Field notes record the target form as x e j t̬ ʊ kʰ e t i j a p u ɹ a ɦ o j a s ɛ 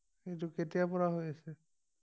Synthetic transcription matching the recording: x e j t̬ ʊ k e t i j a p ɔ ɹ a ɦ o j a s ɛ

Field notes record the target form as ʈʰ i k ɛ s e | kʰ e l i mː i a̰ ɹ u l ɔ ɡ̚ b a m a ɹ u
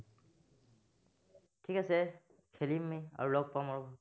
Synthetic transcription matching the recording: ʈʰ i k a s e | kʰ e l i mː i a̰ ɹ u l ɔ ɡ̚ p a m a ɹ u

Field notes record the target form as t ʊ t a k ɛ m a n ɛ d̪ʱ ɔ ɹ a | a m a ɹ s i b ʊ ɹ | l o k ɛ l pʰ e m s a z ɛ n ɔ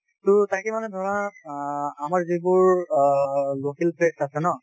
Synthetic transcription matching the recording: t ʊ t a k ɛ m a n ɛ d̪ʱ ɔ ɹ a | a m a ɹ z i b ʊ ɹ | l o k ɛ l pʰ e s a s ɛ n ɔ

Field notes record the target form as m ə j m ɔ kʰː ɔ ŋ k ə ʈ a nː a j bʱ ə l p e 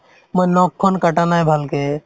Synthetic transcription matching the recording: m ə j n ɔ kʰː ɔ n k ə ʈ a n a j bʱ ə l k e

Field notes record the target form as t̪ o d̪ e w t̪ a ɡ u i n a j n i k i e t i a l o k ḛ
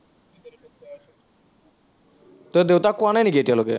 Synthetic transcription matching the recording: t̪ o d̪ e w t̪ a k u a n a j n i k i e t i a l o k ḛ

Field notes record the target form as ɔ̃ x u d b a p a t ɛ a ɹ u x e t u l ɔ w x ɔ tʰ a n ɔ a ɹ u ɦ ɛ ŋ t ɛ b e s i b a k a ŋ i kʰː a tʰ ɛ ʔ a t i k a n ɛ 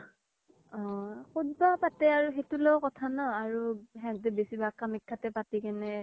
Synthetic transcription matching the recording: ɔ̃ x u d b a p a t ɛ a ɹ u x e t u l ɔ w k ɔ tʰ a n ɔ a ɹ u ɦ ɛ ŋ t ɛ b e s i b a k a m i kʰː a t ɛ p a t i k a n ɛ

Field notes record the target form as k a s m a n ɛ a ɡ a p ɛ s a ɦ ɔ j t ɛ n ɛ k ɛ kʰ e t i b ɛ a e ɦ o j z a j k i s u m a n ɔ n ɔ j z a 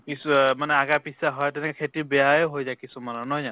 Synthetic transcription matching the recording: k i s m a n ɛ a ɡ a p i s a ɦ ɔ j t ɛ n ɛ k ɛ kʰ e t i b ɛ a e ɦ o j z a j k i s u m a n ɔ n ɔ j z a

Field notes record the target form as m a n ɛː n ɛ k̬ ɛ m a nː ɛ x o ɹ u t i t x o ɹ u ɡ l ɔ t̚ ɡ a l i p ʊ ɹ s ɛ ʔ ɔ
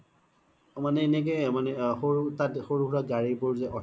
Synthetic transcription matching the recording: m a n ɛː n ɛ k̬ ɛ m a n ɛ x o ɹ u t a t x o ɹ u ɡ ɹ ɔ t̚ ɡ a ɹ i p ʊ ɹ z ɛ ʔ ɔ

